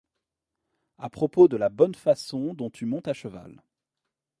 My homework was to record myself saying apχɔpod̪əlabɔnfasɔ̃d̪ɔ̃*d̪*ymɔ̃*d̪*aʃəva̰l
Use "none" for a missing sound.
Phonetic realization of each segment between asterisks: t̪, t̪

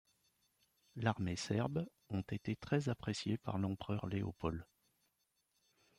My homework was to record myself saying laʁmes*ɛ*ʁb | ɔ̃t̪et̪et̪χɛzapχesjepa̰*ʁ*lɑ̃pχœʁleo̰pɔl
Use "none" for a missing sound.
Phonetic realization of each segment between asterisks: ɛ, ʁ

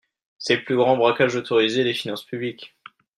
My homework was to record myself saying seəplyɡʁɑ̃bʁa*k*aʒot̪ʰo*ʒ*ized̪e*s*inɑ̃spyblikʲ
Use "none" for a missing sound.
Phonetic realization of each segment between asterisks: k, ʁ, f

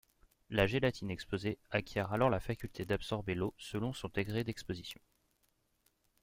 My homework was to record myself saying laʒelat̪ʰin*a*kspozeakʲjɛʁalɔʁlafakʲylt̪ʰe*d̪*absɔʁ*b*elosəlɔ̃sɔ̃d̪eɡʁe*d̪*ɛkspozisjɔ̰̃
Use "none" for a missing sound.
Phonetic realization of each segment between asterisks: ɛ, d̪, b, d̪

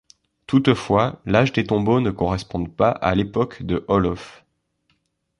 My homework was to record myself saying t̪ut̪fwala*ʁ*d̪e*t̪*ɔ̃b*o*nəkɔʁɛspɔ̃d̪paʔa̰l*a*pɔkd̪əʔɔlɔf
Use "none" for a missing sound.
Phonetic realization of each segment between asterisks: ʒ, t̪, o, e

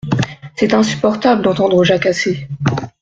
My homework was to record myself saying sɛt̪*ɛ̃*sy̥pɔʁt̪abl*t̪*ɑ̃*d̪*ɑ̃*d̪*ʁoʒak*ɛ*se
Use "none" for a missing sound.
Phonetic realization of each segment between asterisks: ɛ̃, d̪, t̪, d̪, a

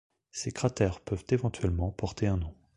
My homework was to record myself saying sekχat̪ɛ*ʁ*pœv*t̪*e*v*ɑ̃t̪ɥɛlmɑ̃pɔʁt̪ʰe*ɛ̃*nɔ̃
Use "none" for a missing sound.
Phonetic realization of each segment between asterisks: ʁ, t̪, v, ɛ̃

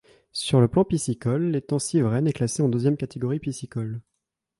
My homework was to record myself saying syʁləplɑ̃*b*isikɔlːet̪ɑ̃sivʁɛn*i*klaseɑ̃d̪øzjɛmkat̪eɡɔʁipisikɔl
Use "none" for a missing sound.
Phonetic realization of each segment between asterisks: p, ɛ

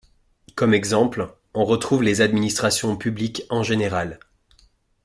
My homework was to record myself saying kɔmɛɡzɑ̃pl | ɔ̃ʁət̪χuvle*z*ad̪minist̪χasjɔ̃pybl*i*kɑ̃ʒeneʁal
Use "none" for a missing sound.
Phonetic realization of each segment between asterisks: z, i

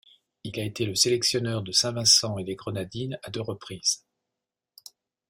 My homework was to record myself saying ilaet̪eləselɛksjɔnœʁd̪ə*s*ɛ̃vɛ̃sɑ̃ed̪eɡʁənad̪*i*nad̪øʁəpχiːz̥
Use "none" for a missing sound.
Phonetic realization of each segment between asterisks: s, i

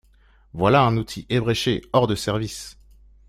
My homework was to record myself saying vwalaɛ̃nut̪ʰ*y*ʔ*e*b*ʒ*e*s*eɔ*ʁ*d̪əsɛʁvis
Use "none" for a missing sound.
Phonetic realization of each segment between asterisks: i, e, ʁ, ʃ, ʁ

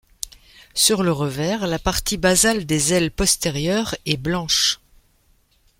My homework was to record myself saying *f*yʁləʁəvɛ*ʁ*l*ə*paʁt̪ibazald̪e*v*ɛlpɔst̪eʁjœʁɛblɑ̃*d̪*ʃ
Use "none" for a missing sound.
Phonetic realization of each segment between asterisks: s, ʁ, a, z, none

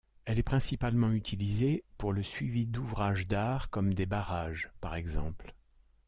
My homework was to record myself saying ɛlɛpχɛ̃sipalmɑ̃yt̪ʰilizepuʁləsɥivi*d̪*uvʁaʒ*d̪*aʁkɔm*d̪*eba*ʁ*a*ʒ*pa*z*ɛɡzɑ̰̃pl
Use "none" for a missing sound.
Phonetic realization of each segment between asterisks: d̪, d̪, d̪, ʁ, ʒ, ʁ

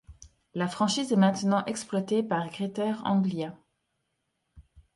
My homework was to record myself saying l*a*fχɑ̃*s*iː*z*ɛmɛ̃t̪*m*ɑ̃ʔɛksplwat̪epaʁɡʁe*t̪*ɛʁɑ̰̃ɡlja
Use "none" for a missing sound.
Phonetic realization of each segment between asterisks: a, ʃ, z, n, t̪

